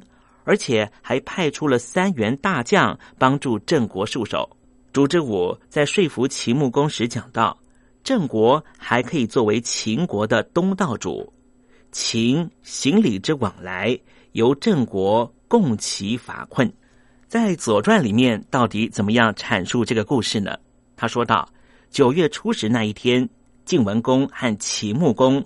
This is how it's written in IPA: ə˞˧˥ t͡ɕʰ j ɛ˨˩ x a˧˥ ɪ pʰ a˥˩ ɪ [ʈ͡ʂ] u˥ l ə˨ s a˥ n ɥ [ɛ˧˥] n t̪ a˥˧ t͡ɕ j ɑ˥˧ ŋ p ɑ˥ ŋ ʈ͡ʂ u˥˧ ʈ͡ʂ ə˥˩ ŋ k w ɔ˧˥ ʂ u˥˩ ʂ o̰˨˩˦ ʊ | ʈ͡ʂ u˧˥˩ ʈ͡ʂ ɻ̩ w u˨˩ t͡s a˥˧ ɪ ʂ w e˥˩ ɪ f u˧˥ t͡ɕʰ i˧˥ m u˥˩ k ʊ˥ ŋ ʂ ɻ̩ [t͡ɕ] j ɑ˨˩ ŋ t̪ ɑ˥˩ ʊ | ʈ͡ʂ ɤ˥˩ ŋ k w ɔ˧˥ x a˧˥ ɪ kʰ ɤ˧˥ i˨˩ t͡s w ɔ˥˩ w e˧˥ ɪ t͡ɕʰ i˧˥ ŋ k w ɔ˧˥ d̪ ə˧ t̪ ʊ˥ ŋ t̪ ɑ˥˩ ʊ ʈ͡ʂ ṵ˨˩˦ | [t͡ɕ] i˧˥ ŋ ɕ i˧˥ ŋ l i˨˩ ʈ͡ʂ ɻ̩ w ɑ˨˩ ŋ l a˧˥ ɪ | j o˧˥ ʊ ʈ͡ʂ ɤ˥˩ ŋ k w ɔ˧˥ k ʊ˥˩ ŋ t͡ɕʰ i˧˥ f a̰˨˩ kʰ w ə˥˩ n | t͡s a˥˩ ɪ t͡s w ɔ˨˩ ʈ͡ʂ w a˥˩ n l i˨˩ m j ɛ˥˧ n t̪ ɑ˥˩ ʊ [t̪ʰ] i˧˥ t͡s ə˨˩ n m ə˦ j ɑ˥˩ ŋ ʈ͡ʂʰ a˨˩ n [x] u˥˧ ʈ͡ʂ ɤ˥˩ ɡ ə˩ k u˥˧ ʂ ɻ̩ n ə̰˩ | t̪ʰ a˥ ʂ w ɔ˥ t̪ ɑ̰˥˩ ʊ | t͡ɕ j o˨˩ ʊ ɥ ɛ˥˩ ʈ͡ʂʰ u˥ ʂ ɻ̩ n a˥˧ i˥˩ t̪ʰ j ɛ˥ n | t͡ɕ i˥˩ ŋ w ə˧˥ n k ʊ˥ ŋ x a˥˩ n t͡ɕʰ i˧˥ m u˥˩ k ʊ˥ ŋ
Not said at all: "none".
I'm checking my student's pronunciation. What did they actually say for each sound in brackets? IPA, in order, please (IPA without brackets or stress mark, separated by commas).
ʈ͡ʂʰ, ɛ˧˥, t͡ɕ, t͡ɕʰ, t̪, ʂ